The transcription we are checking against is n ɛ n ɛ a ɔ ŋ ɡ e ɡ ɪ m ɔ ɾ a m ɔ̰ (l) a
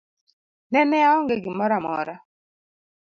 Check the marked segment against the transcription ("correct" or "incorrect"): incorrect